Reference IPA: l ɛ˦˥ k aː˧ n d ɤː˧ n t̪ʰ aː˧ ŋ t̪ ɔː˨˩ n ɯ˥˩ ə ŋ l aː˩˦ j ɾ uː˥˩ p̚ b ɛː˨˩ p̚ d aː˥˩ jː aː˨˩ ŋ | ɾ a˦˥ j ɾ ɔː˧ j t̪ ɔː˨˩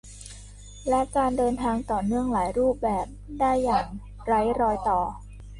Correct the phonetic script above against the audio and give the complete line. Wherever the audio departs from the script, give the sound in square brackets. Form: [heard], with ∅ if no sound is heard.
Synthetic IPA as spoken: l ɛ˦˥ k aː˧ n d ɤː˧ n t̪ʰ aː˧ ŋ t̪ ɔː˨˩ n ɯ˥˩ ə ŋ l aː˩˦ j ɾ uː˥˩ p̚ b ɛː˨˩ p̚ d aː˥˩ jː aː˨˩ ŋ | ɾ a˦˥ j ɾ ɔː˧ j t̪ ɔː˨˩

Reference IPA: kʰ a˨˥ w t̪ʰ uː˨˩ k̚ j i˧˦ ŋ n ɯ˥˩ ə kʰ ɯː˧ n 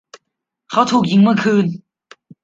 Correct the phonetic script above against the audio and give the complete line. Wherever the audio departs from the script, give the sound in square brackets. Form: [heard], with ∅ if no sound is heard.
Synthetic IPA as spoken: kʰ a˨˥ w t̪ʰ uː˨˩ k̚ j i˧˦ ŋ [m] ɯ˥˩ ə kʰ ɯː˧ n

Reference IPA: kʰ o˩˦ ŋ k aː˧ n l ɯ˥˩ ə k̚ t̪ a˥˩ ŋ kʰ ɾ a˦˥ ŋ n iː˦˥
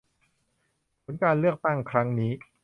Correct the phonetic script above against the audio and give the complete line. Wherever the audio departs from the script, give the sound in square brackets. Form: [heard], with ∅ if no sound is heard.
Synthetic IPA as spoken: [pʰ] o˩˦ [n] k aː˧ n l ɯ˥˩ ə k̚ t̪ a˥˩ ŋ kʰ ɾ a˦˥ ŋ n iː˦˥

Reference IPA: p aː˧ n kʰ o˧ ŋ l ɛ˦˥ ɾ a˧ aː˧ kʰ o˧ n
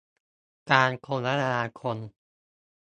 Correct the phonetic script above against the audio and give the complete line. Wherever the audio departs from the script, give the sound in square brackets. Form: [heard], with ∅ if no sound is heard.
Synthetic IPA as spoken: [k] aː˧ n kʰ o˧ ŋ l [a˦˥] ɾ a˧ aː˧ kʰ o˧ n

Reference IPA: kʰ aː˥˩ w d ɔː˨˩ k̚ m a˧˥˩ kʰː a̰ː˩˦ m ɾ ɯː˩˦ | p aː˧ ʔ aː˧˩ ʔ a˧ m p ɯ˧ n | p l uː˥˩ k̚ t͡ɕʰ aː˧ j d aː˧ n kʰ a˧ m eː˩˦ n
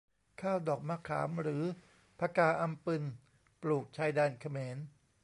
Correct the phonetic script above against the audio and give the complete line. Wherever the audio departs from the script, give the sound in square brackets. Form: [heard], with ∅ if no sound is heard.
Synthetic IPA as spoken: kʰ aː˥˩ w d ɔː˨˩ k̚ m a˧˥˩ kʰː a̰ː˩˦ m ɾ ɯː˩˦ | [pʰ] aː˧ [k] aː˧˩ ʔ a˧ m p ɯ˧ n | p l [uː˨˩] k̚ t͡ɕʰ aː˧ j d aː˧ n kʰ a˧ m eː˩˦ n

